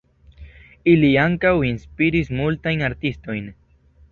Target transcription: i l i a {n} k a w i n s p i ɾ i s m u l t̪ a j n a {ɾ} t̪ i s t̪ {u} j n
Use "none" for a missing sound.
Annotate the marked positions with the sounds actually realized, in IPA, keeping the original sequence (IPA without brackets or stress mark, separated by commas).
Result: ŋ, ɾ, o